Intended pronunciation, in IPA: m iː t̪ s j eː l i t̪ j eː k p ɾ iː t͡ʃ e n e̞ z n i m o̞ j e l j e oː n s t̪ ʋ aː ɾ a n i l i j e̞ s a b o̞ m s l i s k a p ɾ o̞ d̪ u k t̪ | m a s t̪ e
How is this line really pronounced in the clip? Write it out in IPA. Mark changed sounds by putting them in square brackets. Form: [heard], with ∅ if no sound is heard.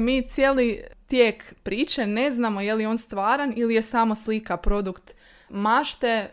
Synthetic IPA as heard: m iː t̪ s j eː l i t̪ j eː k p ɾ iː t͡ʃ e n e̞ z n [a] m o̞ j e l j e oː n s t̪ ʋ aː ɾ a n i l i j e̞ s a [m] o̞ [∅] s l i [∅] k a p ɾ o̞ d̪ u k t̪ | m a [ʃ] t̪ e